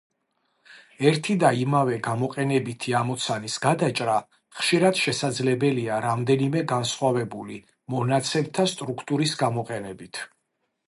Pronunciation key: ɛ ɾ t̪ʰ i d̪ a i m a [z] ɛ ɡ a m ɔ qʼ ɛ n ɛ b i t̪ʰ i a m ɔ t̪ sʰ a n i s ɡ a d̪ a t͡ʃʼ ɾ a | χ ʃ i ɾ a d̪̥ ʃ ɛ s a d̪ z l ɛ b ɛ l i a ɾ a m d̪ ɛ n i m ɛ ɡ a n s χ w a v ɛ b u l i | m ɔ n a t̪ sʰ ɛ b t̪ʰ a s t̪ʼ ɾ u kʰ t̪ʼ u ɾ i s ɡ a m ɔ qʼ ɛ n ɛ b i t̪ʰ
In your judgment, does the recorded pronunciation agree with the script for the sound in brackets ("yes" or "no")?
no